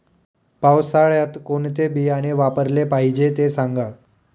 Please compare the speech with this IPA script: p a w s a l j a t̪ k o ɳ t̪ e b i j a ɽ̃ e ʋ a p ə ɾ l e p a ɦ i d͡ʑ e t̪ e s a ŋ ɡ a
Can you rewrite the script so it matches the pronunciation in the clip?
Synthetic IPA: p a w s a ɭ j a t̪ k o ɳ t̪ e b i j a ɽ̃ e ʋ a p ə ɾ l e p a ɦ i d͡ʑ e t̪ e s a ŋ ɡ a